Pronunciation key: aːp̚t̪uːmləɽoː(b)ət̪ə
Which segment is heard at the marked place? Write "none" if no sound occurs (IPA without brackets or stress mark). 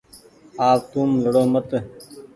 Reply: m